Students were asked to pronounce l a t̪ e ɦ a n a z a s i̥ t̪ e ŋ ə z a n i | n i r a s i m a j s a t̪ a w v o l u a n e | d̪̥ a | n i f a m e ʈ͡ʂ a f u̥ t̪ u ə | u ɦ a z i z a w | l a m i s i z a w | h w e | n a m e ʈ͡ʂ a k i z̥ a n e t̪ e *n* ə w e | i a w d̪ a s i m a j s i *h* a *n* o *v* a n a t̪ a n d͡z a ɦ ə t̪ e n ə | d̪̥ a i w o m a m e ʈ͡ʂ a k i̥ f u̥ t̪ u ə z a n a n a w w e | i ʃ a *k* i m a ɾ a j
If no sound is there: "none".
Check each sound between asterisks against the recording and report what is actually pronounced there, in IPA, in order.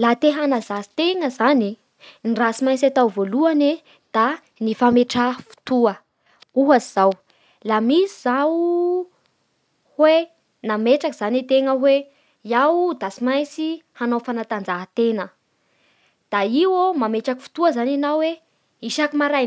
ŋ, h, n, f, k

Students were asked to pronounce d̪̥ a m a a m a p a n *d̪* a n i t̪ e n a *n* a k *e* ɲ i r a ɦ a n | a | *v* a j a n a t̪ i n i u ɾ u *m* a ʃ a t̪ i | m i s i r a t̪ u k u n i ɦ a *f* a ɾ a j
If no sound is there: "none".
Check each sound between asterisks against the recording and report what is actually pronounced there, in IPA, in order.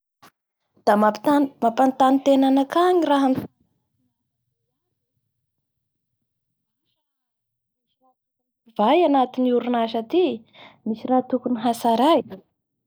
t̪, n, a, v, n, s

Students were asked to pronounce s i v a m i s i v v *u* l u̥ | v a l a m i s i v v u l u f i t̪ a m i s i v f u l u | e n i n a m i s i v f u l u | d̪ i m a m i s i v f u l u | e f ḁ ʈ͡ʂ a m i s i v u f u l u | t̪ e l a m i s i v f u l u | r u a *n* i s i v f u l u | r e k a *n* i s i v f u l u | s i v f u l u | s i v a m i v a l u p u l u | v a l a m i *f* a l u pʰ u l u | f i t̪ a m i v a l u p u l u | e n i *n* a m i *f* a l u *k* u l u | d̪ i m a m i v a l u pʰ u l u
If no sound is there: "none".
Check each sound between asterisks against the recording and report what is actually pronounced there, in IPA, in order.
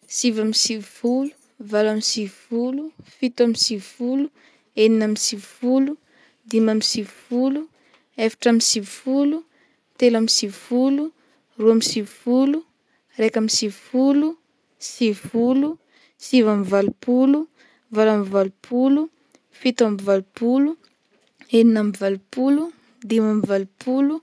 u, m, m, v, n, v, p

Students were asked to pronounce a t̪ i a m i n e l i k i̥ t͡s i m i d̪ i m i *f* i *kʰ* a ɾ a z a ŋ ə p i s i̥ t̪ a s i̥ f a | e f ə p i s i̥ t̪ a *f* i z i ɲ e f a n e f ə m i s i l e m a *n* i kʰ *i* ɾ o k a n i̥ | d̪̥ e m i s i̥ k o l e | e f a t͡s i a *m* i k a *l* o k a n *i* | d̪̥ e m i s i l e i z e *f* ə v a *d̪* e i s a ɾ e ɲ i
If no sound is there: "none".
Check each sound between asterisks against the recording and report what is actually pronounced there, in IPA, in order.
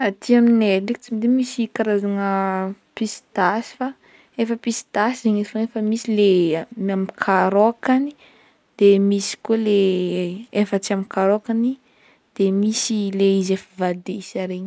s, k, s, m, a, m, ɾ, i, f, d̪

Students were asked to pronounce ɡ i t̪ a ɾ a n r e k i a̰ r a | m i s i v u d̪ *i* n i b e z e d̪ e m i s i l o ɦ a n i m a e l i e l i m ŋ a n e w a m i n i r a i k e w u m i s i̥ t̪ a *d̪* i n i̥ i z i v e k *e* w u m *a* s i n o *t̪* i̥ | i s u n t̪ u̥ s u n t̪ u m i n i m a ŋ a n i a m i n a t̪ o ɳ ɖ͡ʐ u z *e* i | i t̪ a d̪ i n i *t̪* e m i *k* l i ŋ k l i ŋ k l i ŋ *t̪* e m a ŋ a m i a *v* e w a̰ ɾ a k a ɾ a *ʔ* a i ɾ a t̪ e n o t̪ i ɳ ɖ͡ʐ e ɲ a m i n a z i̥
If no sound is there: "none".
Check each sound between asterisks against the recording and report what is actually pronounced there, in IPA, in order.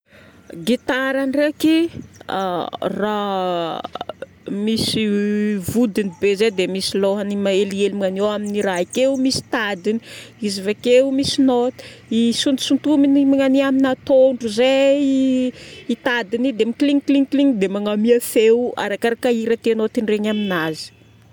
i, d̪, e, i, t̪, e, d̪, k, d̪, f, k

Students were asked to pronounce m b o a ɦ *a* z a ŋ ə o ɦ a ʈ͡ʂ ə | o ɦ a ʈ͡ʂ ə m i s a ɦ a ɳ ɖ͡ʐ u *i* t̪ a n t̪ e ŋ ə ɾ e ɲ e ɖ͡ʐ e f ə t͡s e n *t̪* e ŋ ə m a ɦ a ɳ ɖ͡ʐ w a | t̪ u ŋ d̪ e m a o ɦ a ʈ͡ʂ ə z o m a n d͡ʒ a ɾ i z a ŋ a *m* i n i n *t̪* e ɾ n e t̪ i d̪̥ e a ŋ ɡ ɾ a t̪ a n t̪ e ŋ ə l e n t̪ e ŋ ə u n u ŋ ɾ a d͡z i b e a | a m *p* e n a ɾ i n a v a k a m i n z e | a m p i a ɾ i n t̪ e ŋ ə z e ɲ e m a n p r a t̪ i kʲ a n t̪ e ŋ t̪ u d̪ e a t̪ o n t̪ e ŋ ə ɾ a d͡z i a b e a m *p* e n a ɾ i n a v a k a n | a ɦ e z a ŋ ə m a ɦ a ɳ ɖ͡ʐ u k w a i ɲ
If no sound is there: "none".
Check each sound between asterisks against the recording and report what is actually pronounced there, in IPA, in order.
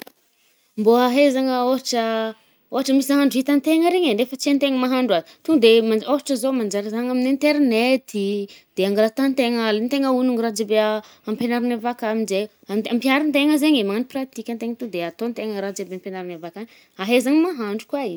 e, i, t̪, m, t̪, p, p

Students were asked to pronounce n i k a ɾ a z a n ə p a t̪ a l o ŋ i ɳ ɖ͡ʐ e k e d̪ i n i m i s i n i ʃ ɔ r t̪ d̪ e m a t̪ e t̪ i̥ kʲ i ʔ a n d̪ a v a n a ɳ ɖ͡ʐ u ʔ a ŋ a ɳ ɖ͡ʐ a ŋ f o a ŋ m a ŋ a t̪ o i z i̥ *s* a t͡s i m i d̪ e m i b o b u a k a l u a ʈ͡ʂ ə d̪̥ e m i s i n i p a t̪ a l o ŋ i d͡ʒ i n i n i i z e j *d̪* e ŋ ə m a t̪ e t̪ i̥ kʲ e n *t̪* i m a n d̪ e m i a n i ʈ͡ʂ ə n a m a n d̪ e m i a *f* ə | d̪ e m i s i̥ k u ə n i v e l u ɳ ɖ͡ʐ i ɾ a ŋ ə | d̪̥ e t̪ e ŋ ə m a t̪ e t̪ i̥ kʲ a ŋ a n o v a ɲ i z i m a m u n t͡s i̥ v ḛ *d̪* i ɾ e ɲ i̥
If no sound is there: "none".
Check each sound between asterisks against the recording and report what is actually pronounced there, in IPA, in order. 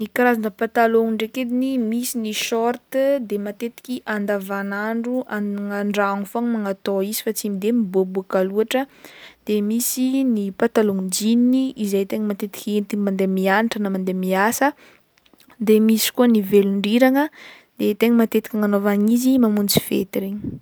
f, t̪, t̪, s, t̪

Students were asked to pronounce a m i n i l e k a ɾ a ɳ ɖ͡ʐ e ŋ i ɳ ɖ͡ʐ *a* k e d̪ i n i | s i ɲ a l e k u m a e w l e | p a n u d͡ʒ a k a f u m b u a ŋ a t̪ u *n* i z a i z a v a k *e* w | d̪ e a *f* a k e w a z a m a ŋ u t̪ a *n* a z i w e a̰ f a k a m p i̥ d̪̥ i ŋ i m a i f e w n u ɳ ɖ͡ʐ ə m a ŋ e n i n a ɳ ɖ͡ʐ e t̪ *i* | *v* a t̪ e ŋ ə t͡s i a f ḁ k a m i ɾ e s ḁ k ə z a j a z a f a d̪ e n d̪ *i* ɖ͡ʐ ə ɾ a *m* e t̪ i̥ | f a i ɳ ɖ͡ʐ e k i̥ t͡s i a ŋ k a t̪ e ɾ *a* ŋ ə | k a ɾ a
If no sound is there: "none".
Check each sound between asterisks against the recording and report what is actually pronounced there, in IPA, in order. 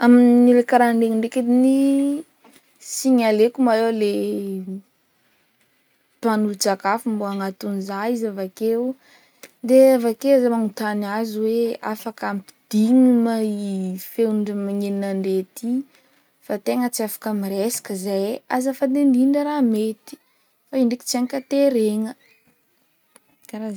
e, n, e, v, n, i, f, i, m, e

